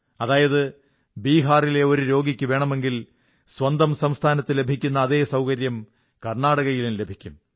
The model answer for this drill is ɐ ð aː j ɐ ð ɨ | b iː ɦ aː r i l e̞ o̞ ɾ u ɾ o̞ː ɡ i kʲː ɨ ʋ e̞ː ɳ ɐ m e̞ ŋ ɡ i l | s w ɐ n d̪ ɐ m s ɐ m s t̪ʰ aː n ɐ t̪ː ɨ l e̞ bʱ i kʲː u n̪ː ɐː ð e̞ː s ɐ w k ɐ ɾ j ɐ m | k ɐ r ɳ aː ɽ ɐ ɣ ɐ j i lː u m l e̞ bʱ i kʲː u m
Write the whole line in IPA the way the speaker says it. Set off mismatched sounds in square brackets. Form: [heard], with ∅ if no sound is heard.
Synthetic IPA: ɐ ð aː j ɐ ð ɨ | b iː ɦ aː r i l e̞ o̞ ɾ u ɾ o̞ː ɡ i kʲː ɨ ʋ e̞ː ɳ ɐ m e̞ ŋ ɡ i l | s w ɐ n d̪ ɐ m s ɐ m s t̪ʰ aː n ɐ t̪ː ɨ l e̞ bʱ i kʲː u n̪ː ɐː ð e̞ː s ɐ w k ɐ ɾ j ɐ m | k ɐ r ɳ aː ɽ ɐ ɣ ɐ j i [l] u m l e̞ bʱ i kʲː u m